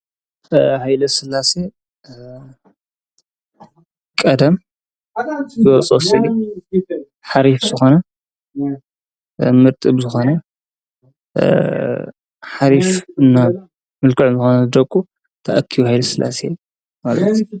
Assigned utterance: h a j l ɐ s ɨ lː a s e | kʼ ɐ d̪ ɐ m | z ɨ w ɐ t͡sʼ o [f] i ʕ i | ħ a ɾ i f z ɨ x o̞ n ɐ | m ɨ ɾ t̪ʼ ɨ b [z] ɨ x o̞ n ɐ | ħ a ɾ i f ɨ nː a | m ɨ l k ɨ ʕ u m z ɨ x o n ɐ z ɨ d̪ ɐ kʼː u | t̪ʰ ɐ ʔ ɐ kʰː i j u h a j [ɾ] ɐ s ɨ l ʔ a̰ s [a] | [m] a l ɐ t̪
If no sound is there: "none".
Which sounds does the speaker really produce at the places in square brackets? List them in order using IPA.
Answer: s, z, l, e, m

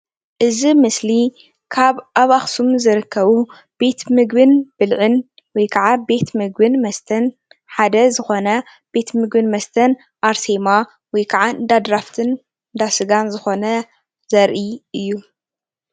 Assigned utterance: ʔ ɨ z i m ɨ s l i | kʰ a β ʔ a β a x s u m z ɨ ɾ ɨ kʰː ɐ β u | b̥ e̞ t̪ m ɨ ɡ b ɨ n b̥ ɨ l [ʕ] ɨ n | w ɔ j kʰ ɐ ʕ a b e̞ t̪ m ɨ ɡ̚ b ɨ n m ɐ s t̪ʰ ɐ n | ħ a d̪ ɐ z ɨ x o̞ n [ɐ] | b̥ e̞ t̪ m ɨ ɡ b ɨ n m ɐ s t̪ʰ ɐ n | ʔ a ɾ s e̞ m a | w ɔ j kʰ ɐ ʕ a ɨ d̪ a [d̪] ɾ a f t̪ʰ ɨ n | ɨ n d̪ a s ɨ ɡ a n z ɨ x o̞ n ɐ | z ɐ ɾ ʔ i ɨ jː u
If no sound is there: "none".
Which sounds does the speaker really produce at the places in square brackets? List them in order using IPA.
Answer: ʕ, ɐ, d̪

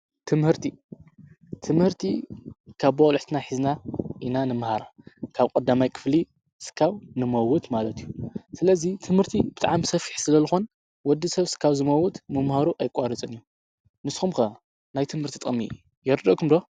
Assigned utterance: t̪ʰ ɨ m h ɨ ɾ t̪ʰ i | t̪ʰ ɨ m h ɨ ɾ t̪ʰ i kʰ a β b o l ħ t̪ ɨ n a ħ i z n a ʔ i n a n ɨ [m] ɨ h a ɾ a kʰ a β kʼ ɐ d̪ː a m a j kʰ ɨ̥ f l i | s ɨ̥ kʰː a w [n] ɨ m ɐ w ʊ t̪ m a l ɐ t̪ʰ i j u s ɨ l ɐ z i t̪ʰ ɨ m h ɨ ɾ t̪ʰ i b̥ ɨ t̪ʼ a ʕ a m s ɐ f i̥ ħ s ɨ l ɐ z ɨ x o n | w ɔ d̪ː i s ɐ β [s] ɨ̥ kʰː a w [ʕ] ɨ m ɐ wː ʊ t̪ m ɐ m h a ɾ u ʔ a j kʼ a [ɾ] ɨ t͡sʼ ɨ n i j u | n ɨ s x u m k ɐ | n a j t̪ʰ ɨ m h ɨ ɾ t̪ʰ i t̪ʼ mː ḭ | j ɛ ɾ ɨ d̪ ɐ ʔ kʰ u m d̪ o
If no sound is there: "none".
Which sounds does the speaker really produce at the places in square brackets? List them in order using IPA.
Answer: m, n, s, z, ɾ

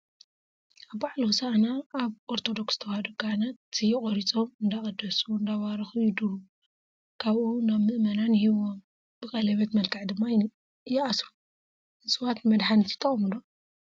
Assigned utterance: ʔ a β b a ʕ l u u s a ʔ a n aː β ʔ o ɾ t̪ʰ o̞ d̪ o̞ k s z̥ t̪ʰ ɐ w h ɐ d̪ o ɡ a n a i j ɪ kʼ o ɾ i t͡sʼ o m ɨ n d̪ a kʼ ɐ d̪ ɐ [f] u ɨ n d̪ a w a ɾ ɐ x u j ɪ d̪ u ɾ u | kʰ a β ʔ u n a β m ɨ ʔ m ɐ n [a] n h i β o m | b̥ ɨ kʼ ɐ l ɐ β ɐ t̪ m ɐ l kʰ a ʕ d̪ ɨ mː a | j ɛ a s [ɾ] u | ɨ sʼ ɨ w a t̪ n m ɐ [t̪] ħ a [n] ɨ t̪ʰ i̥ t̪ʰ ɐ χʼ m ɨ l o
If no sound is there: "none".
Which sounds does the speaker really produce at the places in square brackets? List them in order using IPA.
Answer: s, a, ɾ, d̪, n

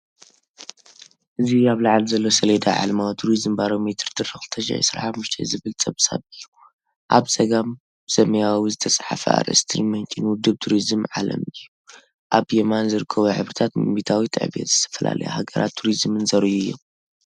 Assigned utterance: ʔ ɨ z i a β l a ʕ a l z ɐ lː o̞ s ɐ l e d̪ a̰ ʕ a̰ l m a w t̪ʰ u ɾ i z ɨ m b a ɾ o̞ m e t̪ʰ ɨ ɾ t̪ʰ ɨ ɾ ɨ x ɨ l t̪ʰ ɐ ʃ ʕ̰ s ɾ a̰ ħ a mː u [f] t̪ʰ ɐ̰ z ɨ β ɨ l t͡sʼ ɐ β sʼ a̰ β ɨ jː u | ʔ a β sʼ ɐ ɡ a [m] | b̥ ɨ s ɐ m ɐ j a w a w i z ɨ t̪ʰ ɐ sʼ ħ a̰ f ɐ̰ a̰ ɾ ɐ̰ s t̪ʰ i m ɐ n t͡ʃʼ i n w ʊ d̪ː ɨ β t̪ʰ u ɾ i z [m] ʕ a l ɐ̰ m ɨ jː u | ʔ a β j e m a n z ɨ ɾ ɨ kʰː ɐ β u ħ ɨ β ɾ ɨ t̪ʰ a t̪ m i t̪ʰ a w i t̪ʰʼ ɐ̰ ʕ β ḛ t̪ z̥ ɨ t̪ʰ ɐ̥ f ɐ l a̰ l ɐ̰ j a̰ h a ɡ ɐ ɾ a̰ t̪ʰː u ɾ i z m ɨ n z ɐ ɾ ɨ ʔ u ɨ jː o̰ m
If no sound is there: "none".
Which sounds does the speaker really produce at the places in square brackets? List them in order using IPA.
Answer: ʃ, m, m

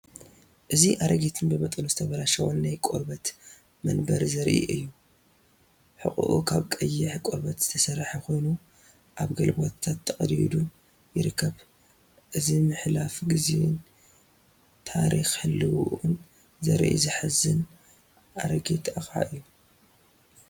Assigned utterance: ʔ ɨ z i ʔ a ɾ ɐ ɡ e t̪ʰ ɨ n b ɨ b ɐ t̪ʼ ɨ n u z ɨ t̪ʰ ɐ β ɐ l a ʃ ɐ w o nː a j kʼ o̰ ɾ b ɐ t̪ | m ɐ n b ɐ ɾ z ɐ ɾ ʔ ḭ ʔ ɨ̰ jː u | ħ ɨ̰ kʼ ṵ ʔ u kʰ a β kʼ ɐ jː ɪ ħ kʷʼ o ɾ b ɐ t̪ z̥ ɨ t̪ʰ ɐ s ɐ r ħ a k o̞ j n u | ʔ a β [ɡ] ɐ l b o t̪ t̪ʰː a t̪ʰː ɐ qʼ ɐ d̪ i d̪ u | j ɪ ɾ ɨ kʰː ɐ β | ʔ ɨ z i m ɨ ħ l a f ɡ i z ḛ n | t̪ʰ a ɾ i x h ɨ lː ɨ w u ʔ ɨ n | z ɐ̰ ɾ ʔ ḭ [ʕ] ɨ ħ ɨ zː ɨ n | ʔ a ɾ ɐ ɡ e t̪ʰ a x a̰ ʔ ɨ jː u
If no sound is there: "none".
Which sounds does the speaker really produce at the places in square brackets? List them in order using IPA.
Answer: ɡ, z

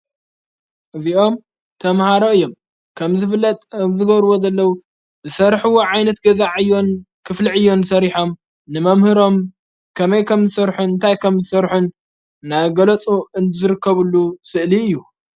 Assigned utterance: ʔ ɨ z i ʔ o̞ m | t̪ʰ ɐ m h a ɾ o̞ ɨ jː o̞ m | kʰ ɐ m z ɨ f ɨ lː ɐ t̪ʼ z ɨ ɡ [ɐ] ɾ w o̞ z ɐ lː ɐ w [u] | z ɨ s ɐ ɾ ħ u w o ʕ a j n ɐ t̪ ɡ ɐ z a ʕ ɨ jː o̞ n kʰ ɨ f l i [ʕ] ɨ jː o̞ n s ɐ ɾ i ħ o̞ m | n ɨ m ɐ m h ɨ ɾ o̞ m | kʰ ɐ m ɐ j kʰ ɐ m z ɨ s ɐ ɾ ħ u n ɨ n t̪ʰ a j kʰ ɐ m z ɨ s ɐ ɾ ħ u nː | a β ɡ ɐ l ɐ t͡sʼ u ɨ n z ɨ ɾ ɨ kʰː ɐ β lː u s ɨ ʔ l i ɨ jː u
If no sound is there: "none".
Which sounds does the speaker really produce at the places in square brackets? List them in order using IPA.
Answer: ɐ, u, ʕ

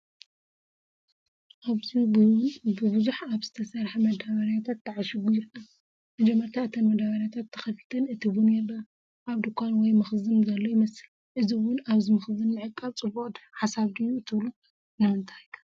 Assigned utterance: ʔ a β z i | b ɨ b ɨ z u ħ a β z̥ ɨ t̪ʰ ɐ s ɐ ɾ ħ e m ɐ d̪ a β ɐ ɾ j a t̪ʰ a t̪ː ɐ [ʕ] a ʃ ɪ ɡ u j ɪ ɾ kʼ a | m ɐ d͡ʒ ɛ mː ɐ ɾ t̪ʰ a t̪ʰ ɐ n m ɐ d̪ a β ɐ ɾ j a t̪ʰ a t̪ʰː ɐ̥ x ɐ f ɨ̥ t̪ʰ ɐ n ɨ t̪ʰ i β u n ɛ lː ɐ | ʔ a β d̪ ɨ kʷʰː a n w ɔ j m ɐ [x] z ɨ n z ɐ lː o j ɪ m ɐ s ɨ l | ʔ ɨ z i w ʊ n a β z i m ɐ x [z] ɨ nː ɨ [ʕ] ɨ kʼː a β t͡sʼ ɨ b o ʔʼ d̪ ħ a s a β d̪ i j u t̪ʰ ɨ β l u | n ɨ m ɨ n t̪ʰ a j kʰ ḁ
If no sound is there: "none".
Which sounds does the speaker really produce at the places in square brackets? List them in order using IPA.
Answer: ʕ, x, z, ʕ

